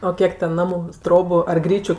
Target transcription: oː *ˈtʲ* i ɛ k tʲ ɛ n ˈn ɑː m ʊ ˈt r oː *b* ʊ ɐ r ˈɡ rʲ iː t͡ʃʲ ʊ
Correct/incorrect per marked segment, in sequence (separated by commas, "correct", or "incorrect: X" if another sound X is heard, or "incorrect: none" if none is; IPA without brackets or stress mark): incorrect: kʲ, correct